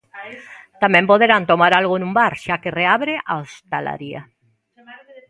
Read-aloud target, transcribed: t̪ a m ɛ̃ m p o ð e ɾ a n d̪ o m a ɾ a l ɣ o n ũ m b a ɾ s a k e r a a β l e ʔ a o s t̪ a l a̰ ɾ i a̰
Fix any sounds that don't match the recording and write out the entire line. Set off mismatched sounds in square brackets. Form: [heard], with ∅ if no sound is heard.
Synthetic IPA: t̪ a m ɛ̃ m p o ð e ɾ a n [t̪] o m a ɾ a l ɣ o n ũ m b a ɾ [ʃ] a k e r [e] a β [ɾ] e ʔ a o s t̪ a l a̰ ɾ i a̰